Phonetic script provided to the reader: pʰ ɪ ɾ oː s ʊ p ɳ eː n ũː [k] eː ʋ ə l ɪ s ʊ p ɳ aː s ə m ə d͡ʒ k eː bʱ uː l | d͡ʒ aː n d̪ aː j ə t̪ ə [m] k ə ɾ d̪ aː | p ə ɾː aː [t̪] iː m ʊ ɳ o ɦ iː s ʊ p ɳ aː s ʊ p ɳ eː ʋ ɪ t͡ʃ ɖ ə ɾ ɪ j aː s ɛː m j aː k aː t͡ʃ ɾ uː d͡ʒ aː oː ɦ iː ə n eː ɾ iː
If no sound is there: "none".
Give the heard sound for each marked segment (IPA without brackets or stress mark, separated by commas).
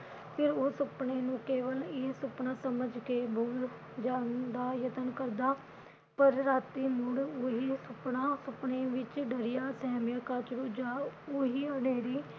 k, n, t̪